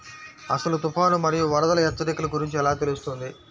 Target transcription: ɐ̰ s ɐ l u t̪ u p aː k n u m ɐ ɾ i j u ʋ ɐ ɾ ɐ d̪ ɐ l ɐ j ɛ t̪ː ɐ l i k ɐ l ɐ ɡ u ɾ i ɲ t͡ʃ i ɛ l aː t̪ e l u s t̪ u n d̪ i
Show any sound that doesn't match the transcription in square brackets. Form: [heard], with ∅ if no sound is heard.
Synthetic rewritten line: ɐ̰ s ɐ l u t̪ u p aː [∅] n u m ɐ ɾ i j u ʋ ɐ ɾ ɐ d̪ ɐ l ɐ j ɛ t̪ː ɐ [ɾ] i k ɐ l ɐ ɡ u ɾ i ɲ t͡ʃ i ɛ l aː t̪ e l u s t̪ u n d̪ i